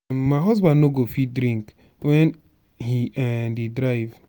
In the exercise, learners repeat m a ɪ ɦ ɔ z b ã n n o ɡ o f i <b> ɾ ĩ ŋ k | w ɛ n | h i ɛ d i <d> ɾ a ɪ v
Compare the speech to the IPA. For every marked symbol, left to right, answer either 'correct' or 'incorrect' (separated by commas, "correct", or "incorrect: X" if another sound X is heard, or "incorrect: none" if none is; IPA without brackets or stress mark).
incorrect: d, correct